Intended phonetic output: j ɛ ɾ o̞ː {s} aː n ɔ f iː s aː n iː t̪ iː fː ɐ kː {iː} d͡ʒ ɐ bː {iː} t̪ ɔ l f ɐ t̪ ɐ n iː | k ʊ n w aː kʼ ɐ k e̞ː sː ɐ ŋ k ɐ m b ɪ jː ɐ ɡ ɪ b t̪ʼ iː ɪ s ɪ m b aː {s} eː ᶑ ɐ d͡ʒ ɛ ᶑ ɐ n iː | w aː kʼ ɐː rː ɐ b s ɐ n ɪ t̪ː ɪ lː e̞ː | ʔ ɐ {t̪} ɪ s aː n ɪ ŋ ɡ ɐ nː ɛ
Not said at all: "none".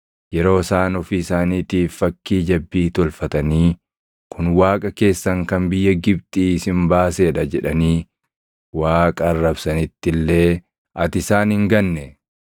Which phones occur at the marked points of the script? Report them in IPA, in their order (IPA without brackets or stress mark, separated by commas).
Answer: s, iː, iː, s, t̪